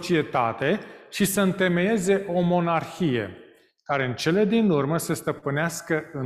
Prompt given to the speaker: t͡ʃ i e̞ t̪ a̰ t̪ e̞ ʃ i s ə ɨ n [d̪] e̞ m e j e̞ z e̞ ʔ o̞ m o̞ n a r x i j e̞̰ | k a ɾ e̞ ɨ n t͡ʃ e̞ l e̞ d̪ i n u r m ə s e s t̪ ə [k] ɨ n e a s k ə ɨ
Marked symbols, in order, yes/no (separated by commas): no, no